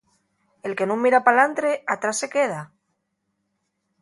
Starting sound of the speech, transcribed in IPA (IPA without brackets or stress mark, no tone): e̞